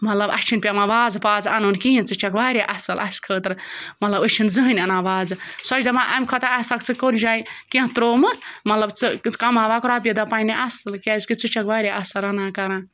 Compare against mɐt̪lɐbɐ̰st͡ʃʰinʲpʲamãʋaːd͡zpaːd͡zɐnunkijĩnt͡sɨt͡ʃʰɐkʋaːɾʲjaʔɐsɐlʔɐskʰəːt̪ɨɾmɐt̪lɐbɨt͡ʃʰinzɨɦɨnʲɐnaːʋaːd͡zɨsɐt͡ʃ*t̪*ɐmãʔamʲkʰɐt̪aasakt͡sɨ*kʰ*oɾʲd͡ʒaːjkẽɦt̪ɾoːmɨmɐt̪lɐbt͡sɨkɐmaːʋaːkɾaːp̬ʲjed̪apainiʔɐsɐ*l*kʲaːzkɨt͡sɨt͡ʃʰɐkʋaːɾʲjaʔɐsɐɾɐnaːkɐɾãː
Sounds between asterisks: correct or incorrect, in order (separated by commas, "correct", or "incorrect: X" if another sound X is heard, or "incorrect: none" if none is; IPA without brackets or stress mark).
incorrect: d̪, incorrect: k, correct